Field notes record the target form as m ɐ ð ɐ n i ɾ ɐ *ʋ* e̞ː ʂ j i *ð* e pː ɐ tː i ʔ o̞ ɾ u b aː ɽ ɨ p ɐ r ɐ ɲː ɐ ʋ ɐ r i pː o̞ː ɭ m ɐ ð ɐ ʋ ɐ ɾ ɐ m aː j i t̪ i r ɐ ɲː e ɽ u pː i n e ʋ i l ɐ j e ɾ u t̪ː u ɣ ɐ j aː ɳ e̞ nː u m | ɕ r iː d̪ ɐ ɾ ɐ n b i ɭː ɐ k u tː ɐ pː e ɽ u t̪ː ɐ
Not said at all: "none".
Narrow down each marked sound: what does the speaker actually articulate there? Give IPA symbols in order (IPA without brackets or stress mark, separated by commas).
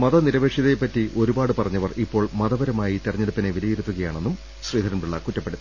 ʋ, ð